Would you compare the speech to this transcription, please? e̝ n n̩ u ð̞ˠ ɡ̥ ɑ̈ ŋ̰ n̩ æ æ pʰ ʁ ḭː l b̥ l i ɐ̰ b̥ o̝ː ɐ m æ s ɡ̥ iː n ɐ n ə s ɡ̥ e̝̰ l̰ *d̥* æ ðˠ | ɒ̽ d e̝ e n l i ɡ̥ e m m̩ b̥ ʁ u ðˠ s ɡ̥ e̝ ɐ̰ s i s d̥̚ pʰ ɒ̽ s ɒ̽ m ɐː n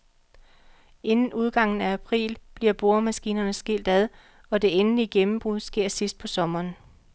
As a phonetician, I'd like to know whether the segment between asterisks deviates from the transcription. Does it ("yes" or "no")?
no